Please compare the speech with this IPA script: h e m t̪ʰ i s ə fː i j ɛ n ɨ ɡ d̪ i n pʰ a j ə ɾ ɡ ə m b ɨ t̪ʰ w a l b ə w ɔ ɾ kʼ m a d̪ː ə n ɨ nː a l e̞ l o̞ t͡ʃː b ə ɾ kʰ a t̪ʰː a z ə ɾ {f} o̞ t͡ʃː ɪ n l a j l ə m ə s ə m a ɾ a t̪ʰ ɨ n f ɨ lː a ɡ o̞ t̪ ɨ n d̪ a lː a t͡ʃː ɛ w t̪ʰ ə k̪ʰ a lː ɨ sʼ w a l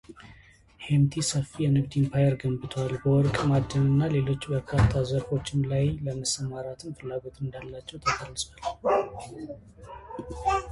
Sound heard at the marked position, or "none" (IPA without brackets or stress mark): f